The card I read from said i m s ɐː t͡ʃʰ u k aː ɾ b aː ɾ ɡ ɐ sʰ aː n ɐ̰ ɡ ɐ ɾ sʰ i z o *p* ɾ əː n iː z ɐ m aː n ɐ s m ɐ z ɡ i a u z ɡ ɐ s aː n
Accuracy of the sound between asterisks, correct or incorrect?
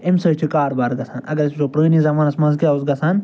correct